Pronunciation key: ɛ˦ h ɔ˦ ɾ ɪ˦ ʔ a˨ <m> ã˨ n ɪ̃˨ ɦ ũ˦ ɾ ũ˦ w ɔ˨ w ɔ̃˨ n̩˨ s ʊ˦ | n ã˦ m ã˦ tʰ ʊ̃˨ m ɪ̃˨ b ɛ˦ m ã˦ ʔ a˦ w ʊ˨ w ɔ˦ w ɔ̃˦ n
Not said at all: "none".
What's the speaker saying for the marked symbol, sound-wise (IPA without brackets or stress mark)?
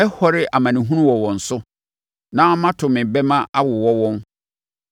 m